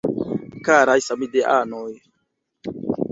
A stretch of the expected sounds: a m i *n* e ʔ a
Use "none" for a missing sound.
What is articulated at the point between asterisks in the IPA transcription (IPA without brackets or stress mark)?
d